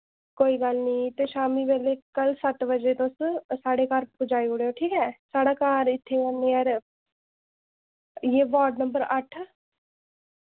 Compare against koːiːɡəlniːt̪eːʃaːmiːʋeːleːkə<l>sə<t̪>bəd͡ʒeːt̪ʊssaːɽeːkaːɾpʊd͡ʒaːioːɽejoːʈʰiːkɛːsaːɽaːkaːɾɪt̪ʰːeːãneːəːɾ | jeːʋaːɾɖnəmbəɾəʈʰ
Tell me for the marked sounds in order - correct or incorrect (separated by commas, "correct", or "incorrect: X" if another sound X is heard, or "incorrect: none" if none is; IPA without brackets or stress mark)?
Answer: correct, correct